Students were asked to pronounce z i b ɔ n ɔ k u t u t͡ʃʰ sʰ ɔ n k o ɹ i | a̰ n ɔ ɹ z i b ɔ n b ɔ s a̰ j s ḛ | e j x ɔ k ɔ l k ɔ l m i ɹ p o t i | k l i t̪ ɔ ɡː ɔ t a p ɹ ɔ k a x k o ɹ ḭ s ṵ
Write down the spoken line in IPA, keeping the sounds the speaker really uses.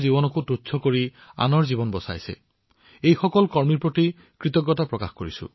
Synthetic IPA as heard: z i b ɔ n ɔ k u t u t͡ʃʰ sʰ ɔ k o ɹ i | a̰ n ɔ ɹ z i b ɔ n b ɔ s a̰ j s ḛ | e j x ɔ k ɔ l k ɔ ɹ m i ɹ p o t i | k ɹ i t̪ ɔ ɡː ɔ t a p ɹ ɔ k a x k o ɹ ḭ s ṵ